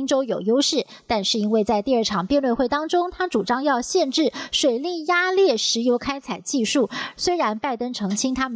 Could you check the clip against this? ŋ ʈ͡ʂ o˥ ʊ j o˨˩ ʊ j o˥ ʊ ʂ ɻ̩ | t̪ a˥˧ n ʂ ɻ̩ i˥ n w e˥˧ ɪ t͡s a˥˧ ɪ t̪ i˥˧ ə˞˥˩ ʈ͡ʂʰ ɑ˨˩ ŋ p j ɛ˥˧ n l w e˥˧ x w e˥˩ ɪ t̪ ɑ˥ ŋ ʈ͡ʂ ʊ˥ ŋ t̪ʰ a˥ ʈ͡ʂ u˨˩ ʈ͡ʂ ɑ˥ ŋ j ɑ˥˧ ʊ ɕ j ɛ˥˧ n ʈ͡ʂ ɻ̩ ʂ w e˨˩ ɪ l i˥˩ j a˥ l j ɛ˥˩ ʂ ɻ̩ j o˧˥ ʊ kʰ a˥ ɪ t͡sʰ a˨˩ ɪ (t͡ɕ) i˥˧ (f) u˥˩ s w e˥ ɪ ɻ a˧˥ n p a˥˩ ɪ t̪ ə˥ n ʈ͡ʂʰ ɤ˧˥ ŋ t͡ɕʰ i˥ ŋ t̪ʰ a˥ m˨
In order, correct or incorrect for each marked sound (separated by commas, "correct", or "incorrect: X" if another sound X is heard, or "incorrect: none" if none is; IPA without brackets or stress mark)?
correct, incorrect: ʂ